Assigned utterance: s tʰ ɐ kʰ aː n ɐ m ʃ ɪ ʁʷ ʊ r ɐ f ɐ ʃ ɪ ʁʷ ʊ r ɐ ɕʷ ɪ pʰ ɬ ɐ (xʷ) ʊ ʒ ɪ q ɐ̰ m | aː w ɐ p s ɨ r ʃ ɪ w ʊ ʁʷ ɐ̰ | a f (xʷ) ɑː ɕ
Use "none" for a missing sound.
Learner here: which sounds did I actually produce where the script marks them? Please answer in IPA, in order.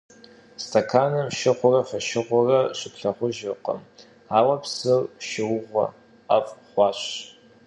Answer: χʷ, χʷ

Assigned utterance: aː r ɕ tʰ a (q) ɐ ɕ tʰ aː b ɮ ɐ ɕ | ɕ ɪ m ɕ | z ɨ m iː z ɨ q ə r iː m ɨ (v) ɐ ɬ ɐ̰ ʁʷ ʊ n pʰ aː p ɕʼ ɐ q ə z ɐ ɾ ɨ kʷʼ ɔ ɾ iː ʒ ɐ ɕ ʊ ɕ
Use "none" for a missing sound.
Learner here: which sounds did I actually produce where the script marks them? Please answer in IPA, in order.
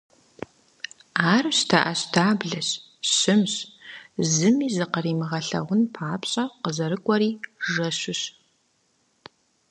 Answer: ʔ, ʁ

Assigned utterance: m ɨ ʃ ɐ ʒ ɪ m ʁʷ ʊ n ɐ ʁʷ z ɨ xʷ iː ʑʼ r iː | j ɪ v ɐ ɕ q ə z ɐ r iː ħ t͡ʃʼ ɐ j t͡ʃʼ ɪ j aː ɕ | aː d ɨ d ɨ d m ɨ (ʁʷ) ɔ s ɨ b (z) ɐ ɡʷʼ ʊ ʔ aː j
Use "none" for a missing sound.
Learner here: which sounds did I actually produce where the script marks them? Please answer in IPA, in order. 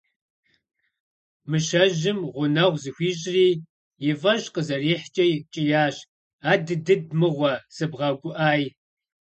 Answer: ʁʷ, ʁ

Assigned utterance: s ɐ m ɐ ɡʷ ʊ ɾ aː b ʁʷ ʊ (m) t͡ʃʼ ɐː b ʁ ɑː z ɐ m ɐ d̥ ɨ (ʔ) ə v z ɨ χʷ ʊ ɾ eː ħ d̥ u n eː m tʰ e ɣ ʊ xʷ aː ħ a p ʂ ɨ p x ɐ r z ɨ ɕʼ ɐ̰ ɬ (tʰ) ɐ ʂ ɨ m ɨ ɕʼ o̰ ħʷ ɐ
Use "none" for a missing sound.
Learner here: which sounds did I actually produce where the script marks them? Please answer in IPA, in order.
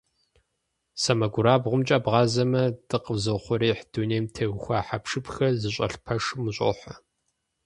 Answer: m, q, pʰ

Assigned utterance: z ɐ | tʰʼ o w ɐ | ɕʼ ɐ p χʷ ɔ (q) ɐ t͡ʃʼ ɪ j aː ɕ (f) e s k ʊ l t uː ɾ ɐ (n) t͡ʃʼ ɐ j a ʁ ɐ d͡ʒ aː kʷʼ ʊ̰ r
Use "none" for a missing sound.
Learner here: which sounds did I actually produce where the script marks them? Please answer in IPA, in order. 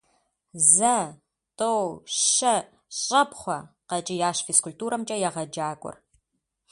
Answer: q, f, m

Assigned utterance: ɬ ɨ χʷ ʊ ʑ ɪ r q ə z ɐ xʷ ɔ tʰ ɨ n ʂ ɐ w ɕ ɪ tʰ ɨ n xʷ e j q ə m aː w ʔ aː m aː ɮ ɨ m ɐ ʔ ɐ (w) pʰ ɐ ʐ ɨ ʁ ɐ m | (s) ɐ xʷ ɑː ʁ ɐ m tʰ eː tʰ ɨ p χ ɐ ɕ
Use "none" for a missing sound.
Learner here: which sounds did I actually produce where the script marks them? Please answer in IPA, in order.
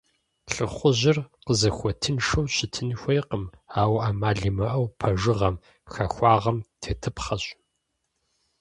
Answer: w, x

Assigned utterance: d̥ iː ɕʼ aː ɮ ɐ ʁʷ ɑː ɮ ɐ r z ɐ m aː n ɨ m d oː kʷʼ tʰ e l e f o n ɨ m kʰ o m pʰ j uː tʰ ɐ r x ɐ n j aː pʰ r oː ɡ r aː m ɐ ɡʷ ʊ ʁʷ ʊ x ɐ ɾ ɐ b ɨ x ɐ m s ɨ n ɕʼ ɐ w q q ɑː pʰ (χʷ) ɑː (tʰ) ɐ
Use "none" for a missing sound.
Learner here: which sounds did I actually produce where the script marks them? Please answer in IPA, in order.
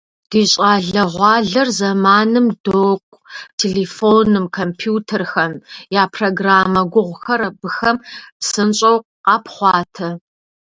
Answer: χʷ, tʰ

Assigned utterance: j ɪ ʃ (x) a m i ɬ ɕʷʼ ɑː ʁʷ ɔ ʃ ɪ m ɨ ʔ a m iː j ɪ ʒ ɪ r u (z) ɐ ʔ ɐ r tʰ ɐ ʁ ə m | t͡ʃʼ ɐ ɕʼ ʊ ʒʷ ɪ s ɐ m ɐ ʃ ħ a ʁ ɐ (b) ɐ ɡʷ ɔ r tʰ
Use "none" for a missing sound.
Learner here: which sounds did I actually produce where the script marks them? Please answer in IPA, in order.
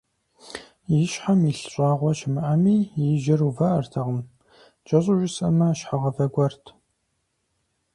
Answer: ħ, v, v

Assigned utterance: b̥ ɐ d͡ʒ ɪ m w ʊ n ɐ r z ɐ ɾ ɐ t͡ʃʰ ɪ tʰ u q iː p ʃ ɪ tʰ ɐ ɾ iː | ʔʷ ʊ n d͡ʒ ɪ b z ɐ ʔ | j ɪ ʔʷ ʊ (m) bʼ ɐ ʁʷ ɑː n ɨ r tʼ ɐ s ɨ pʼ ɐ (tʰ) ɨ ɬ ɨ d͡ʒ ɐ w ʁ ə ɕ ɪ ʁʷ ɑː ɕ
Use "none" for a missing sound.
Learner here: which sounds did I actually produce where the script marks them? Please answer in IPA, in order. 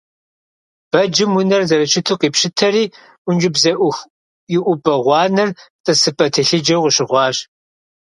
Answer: none, tʰ

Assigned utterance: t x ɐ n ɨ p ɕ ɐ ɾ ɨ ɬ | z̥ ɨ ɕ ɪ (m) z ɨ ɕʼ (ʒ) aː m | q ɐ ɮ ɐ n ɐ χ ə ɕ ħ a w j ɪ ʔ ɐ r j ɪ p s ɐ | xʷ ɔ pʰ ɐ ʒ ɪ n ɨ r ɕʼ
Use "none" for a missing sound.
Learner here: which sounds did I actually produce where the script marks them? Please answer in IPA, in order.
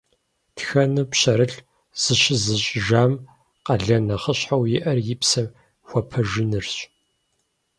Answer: none, ʒ

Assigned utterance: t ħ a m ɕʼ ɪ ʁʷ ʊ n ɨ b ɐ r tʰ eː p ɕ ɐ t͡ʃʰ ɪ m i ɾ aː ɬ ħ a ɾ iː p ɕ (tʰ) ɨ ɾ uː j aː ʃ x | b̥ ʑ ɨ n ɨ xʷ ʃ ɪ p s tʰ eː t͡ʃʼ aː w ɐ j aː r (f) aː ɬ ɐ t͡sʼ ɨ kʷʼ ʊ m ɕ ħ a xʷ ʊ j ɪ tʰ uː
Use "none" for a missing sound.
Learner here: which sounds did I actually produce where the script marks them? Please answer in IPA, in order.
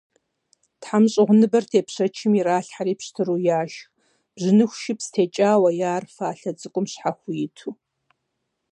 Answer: tʰ, f

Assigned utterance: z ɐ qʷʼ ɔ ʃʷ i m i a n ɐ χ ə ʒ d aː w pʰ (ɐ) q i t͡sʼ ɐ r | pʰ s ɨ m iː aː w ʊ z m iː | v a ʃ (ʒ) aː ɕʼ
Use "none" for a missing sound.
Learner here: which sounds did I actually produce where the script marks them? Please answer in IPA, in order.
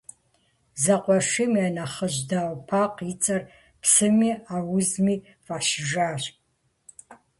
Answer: a, ʒ

